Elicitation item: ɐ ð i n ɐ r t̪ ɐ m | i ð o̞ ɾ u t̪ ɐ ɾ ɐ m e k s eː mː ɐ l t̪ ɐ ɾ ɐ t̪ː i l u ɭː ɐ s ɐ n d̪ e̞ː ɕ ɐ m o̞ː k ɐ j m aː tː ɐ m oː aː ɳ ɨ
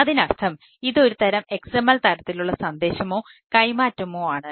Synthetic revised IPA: ɐ ð i n ɐ r t̪ʰ ɐ m | i ð o̞ ɾ u t̪ ɐ ɾ ɐ m e k s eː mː ɐ l t̪ ɐ ɾ ɐ t̪ː i l u ɭː ɐ s ɐ n d̪ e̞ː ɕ ɐ m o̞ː k ɐ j m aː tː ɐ m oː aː ɳ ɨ